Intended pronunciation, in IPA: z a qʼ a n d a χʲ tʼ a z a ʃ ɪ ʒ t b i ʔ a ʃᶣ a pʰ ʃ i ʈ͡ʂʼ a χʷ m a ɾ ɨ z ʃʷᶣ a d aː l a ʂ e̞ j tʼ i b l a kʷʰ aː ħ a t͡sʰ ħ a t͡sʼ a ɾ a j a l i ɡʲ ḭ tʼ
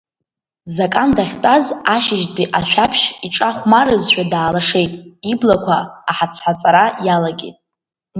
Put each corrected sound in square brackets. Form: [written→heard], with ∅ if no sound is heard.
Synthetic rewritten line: z a [qʼ→kʼ] a n d a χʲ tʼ a z a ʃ ɪ ʒ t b i ʔ a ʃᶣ a pʰ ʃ i ʈ͡ʂʼ a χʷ m a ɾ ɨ z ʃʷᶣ a d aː l a ʂ e̞ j tʼ i b l a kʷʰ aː ħ a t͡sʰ ħ a t͡sʼ a ɾ a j a l [i→a] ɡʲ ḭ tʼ